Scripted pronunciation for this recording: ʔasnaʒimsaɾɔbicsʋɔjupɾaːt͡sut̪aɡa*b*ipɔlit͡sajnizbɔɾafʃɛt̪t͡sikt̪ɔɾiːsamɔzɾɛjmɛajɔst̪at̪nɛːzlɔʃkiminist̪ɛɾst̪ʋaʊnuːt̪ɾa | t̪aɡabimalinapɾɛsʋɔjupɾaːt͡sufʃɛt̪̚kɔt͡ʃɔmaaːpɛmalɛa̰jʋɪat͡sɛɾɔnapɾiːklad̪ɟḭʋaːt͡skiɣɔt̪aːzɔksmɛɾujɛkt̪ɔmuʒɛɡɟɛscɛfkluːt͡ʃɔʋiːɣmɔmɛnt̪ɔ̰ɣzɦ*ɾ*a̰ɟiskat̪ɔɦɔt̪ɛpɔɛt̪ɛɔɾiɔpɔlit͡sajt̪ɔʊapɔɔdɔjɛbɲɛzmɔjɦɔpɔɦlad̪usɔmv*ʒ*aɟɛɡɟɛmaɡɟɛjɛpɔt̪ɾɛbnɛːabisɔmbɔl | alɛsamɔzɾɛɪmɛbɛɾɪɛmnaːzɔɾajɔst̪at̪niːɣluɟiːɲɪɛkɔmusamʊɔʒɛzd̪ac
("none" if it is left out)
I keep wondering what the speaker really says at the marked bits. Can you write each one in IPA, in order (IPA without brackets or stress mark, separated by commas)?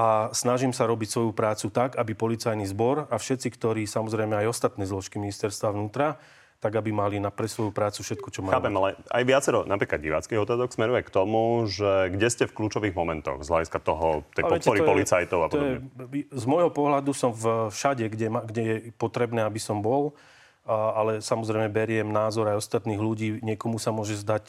b, l, ʃ